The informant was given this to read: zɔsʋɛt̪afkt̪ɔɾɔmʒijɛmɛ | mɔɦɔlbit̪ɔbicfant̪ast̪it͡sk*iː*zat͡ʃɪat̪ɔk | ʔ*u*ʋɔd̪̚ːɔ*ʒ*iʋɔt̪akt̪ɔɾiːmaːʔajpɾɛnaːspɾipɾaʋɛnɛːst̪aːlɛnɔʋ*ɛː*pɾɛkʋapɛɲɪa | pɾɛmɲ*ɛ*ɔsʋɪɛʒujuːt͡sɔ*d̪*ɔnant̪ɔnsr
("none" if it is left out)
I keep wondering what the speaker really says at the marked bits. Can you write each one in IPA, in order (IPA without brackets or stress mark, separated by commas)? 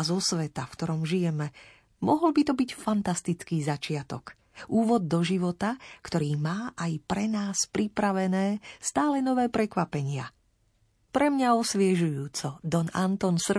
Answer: iː, uː, ʒ, ɛː, a, d̪